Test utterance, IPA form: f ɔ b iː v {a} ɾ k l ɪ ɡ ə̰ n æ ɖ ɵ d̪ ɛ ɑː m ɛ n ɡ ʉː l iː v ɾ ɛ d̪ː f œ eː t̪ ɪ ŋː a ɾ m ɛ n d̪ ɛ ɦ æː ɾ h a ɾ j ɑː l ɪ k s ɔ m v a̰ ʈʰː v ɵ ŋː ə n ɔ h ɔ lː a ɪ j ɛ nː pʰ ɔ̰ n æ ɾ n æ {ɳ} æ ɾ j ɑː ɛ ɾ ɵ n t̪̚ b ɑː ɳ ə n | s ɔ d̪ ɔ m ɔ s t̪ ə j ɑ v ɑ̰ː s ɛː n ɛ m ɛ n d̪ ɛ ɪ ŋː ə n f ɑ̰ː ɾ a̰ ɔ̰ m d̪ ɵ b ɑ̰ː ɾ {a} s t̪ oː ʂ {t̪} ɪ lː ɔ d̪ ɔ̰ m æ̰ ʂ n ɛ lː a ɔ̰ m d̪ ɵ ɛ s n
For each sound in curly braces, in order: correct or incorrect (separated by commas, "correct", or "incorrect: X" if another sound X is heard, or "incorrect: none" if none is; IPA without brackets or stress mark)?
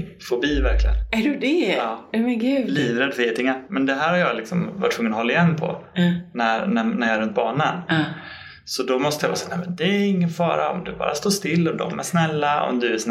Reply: incorrect: æ, incorrect: n, correct, correct